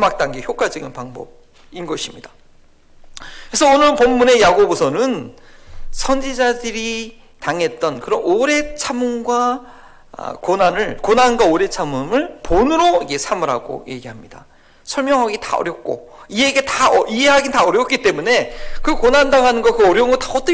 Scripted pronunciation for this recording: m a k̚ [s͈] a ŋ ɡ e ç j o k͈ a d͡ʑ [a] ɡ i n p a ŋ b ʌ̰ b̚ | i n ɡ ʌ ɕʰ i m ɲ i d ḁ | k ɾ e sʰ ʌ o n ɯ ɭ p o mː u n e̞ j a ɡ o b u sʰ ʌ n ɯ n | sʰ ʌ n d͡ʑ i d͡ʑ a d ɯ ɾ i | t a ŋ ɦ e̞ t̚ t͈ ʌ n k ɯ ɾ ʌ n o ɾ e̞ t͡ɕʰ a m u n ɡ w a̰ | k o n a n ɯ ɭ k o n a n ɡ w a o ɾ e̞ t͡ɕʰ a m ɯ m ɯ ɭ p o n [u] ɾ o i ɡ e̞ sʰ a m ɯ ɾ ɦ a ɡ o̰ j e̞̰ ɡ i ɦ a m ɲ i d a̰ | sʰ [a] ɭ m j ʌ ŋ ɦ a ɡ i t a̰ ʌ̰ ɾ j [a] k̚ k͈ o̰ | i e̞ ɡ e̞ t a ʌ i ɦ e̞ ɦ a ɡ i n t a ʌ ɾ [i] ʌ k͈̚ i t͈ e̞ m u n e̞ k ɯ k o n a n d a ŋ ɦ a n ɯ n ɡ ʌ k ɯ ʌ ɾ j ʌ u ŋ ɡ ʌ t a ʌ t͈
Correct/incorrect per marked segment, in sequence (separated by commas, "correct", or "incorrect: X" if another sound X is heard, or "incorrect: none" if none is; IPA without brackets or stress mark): incorrect: t͈, incorrect: ʌ, incorrect: ɯ, incorrect: ʌ, incorrect: ʌ, incorrect: j